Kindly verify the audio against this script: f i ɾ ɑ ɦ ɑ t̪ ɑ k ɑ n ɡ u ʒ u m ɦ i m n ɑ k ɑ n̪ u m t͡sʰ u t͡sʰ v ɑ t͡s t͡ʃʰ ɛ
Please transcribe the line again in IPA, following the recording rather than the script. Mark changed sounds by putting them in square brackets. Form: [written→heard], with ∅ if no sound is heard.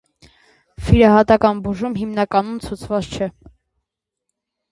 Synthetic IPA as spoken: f i ɾ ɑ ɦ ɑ t̪ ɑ k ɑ n [ɡ→b] u ʒ u m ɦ i m n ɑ k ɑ n̪ u m t͡sʰ u t͡sʰ v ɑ t͡s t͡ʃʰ ɛ